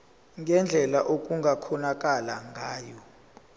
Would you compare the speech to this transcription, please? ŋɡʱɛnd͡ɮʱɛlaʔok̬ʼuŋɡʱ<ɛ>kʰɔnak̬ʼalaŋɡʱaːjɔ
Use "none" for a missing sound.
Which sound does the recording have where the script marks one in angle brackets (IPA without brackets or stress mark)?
a